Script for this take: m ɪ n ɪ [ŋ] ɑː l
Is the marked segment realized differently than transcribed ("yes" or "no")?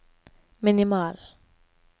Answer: yes